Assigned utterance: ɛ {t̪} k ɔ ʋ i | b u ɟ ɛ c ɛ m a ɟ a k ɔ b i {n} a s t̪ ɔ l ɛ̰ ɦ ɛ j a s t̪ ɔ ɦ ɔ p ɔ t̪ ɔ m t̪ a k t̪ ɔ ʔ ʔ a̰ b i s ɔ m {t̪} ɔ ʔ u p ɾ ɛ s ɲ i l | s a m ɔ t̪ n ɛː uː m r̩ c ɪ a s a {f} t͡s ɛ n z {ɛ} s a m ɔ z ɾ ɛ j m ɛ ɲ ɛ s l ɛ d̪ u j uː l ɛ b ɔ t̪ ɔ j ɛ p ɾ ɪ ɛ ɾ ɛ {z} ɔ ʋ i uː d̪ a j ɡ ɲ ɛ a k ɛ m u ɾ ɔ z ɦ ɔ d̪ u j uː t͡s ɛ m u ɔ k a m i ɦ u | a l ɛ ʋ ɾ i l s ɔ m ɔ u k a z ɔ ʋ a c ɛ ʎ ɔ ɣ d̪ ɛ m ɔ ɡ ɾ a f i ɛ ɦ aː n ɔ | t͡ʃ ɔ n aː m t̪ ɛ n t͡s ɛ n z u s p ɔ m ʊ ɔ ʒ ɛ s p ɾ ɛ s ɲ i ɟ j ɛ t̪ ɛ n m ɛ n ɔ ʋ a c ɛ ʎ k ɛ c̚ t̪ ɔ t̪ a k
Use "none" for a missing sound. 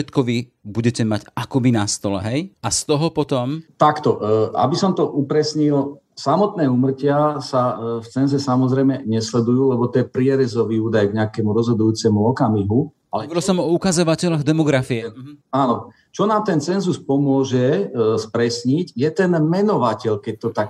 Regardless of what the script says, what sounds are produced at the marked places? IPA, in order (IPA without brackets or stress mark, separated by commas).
t̪, n, t̪, f, ɛ, z